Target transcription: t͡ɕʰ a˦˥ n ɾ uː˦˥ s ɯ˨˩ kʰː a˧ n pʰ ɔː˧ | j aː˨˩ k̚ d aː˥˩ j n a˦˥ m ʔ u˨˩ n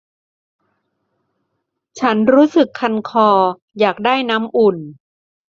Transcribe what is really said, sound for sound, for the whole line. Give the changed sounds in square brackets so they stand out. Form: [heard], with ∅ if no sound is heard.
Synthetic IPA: t͡ɕʰ a˦˥ n ɾ uː˦˥ s ɯ˨˩ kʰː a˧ n [kʰ] ɔː˧ | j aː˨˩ k̚ d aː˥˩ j n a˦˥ m ʔ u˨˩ n